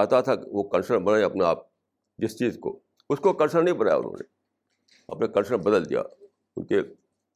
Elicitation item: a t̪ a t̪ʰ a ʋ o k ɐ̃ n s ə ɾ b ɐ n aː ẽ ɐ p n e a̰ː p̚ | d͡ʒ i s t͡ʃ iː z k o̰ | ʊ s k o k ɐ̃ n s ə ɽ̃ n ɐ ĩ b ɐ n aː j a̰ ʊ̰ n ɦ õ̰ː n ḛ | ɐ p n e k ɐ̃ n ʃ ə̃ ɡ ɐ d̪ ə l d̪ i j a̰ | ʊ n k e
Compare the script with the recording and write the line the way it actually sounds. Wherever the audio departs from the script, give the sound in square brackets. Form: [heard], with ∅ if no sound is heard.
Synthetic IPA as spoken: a t̪ a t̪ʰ a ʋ o k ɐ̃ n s ə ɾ b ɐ n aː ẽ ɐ p n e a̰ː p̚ | d͡ʒ [ɪ] s t͡ʃ iː z k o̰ | ʊ s k o k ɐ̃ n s ə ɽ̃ n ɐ ĩ b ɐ n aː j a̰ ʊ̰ n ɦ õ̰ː n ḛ | ɐ p n e k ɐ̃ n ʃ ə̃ [b] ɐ d̪ ə l d̪ i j a̰ | ʊ n k e